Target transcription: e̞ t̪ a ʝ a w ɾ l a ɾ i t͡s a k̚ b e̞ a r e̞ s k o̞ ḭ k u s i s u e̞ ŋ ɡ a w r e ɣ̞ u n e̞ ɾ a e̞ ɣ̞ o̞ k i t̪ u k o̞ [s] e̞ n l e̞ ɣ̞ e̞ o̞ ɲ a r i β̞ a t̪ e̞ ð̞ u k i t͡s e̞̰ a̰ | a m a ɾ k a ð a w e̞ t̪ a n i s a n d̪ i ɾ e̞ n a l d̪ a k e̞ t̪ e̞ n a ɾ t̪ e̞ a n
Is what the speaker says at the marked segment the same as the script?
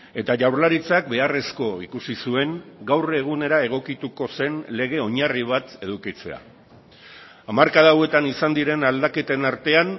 yes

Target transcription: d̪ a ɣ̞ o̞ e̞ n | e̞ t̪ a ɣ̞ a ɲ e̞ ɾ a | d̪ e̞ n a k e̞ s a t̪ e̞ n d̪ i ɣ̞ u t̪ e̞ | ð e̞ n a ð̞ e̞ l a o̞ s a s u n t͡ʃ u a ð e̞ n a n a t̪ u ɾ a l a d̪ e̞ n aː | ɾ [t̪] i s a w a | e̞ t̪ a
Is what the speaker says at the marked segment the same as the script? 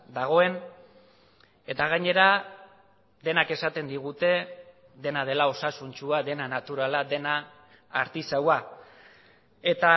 yes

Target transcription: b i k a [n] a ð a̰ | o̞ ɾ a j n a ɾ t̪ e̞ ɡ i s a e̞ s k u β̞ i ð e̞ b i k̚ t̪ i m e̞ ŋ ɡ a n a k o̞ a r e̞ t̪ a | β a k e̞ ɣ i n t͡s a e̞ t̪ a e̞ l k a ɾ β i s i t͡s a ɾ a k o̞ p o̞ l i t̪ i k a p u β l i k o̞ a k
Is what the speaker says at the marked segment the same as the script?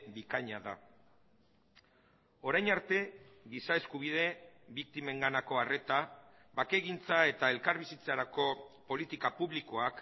no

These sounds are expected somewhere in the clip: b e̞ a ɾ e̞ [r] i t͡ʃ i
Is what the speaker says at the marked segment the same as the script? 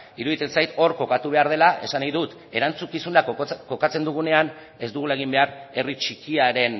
yes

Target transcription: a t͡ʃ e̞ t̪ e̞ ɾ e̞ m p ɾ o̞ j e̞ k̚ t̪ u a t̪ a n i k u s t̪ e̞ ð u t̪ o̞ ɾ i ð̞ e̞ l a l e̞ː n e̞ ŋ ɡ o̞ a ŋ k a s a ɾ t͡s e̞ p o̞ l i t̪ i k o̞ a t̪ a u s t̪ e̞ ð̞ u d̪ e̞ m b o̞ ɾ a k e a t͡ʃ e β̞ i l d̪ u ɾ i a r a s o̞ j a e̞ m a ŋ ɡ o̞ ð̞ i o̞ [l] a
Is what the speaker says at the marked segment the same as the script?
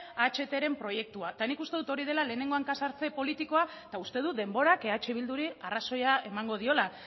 yes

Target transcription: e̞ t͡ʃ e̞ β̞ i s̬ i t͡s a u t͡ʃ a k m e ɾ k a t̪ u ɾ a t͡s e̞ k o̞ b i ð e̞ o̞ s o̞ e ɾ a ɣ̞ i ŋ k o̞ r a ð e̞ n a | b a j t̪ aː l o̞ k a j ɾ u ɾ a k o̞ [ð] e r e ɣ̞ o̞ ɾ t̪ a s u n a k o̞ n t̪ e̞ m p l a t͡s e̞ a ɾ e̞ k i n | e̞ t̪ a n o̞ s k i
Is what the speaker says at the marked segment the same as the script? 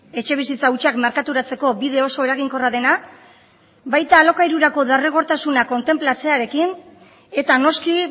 yes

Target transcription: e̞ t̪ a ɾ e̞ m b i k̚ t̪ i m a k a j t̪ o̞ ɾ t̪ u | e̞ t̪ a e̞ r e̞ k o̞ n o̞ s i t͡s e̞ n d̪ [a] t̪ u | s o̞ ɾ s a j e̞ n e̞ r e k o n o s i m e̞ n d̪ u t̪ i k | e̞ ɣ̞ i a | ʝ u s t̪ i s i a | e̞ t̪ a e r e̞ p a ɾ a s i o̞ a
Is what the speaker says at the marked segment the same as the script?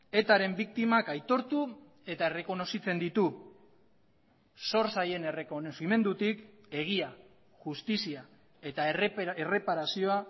no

